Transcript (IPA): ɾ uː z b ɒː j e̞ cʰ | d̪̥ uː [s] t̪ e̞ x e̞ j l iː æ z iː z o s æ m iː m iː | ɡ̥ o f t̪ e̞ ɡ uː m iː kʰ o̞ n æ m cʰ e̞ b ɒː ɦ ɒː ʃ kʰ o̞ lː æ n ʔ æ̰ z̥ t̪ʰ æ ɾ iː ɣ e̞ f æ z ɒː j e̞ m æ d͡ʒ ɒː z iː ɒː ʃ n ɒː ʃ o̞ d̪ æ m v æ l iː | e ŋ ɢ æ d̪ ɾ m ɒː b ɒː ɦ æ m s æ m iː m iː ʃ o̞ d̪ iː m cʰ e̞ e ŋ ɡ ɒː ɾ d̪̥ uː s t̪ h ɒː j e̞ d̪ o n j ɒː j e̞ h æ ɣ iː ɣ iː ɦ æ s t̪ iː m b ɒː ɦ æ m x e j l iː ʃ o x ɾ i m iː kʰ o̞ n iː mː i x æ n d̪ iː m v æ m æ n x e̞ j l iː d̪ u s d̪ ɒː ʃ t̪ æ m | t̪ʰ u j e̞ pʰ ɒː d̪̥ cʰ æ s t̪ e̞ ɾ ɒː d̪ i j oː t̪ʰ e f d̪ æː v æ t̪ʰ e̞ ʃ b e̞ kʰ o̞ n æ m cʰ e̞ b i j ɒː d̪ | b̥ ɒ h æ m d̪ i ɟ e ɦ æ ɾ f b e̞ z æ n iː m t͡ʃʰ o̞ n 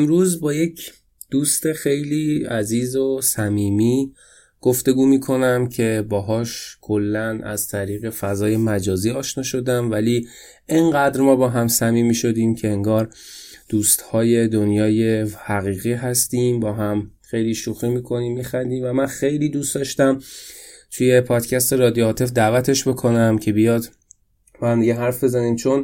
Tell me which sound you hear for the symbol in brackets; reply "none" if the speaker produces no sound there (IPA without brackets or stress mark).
s